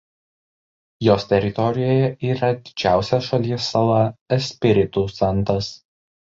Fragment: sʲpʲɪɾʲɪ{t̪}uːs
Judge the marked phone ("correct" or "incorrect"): correct